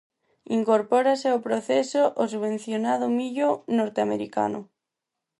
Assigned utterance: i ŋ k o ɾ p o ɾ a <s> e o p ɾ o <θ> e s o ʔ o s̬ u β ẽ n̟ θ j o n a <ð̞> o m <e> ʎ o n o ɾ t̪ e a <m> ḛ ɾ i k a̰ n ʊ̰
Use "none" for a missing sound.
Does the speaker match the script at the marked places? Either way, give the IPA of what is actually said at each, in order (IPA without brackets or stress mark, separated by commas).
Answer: s, θ, ð̞, i, m